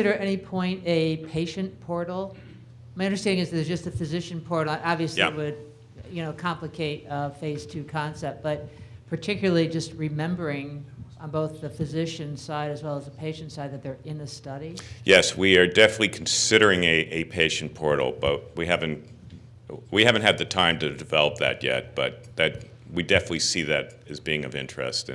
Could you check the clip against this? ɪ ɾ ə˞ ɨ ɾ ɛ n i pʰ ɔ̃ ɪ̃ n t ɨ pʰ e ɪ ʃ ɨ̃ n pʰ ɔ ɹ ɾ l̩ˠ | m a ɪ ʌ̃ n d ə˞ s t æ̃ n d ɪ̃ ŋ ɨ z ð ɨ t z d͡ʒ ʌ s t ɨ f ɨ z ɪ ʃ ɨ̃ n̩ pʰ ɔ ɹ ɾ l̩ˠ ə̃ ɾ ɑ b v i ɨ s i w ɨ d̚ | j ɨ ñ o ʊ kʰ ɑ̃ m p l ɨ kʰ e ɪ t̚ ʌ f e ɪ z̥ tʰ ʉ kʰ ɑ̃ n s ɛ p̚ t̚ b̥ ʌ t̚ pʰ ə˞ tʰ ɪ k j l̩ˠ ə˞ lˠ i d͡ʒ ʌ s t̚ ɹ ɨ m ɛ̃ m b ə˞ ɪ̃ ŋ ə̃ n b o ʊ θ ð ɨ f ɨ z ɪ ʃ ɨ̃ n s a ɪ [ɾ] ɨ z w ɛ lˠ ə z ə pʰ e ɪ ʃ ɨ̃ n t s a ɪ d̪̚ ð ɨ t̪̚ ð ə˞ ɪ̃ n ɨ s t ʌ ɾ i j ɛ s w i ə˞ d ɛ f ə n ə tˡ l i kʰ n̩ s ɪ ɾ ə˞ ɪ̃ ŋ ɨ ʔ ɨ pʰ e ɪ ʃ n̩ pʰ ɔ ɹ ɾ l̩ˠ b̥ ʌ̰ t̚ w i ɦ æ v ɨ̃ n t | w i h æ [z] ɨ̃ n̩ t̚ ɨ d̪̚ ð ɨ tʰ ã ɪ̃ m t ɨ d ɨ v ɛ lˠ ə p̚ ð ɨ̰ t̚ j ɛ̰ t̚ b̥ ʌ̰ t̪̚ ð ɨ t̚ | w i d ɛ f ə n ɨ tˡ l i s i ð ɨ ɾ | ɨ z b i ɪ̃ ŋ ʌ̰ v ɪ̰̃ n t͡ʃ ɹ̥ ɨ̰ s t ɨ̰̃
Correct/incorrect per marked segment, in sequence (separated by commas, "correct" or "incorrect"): correct, incorrect